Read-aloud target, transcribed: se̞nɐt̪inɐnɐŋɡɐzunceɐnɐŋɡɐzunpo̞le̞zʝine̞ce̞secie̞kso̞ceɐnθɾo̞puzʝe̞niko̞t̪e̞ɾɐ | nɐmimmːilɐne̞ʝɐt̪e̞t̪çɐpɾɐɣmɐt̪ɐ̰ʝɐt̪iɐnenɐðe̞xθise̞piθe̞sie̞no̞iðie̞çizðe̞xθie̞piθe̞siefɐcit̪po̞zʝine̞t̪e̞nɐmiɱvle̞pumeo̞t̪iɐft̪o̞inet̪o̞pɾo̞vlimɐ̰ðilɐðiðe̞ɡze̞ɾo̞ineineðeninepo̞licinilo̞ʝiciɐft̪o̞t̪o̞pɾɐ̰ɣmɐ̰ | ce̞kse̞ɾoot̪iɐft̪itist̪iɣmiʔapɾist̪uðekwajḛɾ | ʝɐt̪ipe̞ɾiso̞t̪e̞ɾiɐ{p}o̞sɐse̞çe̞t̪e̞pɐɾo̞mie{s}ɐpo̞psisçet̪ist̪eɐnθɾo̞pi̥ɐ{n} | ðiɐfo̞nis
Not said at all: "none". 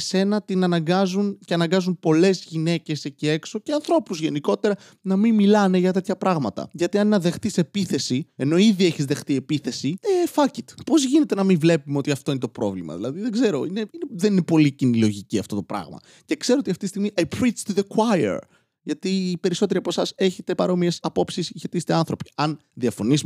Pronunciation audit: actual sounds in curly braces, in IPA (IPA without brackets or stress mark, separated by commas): p, s, n